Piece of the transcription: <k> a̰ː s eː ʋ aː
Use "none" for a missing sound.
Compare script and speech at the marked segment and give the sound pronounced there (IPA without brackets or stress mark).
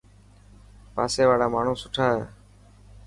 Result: p